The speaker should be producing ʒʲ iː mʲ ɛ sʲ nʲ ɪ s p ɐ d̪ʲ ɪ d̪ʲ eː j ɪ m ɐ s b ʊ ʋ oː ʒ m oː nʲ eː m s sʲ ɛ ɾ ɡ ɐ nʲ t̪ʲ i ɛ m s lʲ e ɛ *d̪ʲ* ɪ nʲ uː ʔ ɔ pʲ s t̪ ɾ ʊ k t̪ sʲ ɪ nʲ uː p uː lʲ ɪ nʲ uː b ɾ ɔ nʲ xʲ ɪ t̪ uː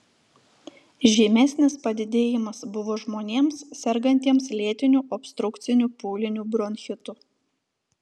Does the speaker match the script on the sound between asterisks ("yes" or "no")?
no